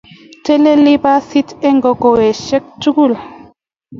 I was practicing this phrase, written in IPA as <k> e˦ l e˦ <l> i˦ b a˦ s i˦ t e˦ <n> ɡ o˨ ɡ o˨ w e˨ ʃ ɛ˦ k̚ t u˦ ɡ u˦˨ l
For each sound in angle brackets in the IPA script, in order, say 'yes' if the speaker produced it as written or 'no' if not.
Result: no, yes, no

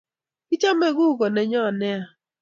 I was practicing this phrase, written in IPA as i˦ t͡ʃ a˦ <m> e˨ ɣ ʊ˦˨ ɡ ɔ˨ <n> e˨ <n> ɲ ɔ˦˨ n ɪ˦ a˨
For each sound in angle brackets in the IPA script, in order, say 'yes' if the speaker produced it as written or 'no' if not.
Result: yes, yes, no

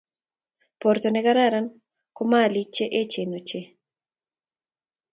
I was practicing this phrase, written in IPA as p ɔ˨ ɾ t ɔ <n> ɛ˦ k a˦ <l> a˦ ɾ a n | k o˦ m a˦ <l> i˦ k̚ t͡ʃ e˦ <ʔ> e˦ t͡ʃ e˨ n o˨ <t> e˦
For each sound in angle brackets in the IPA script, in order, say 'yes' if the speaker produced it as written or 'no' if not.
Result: yes, no, yes, yes, no

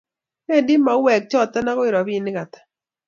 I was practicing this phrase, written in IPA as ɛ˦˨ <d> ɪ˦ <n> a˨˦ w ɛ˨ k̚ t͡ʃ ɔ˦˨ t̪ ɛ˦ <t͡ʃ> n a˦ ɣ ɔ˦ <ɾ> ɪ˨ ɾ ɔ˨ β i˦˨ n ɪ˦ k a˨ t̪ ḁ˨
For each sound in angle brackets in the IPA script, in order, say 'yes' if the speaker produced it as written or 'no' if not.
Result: yes, no, no, no

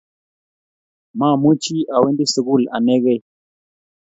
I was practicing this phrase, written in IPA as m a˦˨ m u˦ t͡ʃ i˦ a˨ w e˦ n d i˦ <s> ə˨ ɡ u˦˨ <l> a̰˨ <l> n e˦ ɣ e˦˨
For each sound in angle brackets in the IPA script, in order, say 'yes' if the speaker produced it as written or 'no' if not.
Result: yes, yes, no

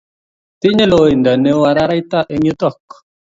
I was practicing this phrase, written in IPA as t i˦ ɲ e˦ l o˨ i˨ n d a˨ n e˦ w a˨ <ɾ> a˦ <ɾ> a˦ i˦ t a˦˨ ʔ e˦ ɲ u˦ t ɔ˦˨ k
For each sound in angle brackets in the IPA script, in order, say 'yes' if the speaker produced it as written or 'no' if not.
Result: yes, yes

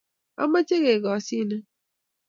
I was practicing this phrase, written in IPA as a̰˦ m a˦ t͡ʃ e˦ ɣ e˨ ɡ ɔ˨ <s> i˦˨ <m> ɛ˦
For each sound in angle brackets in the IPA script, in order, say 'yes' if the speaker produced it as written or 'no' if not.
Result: yes, no

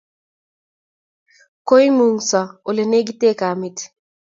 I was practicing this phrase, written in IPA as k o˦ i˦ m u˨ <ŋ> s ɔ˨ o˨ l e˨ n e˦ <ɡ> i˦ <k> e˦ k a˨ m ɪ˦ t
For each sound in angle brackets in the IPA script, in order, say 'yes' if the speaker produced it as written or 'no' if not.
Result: yes, yes, no

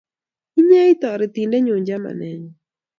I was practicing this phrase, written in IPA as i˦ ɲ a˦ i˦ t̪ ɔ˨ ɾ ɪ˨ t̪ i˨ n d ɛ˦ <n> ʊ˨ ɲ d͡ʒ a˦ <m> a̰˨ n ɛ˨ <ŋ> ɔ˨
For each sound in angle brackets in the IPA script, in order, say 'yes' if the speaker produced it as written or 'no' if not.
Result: no, yes, no

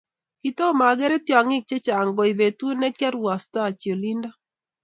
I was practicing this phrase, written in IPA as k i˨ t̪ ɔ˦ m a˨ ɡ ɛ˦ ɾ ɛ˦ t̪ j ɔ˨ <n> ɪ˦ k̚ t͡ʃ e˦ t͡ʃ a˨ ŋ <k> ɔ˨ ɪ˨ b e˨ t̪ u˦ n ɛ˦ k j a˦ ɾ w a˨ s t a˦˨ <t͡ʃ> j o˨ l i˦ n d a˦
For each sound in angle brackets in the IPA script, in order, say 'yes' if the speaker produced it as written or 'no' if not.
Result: no, no, yes

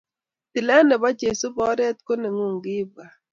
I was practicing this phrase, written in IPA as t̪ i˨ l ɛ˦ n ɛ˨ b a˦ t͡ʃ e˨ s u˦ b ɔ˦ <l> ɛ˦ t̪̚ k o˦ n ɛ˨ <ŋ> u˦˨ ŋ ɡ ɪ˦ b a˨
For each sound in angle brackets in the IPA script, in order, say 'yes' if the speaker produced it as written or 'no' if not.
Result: no, yes

